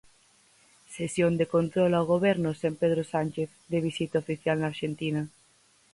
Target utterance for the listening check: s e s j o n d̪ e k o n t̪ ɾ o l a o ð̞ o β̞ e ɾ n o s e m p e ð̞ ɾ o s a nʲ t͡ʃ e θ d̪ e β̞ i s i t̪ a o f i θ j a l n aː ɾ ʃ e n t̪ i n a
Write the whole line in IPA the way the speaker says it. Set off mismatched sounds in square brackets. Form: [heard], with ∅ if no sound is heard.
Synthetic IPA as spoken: s e s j o n d̪ e k o n t̪ ɾ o l a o [ɣ̞] o β̞ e ɾ n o s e m p e ð̞ ɾ o s a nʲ t͡ʃ e θ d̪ e β̞ i s i t̪ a o f i θ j a l n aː ɾ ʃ e n t̪ i n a